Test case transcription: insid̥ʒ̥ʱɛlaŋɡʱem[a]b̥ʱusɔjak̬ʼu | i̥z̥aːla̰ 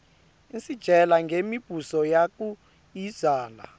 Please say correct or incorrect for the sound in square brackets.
incorrect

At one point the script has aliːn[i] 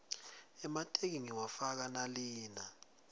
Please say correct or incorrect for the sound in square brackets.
incorrect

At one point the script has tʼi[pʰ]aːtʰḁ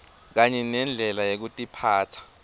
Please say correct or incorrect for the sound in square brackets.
correct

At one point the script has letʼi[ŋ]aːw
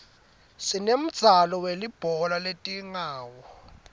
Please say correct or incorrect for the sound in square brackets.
correct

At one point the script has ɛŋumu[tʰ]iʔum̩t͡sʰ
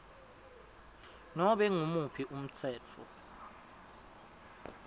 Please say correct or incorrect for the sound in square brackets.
incorrect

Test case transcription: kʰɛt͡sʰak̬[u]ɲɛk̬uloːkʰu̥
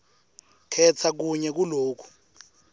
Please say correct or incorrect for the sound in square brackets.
correct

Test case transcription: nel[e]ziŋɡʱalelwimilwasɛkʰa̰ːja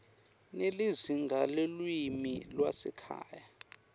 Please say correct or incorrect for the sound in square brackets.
incorrect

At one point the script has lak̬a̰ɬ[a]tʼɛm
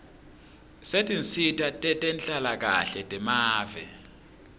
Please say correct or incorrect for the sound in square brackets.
incorrect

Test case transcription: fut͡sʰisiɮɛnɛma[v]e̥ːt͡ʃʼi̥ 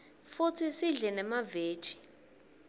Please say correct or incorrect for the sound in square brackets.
correct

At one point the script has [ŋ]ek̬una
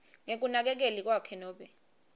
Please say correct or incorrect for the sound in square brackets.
correct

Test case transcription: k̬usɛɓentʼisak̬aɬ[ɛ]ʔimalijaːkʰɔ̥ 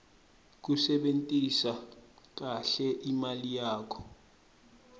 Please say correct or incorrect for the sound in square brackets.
correct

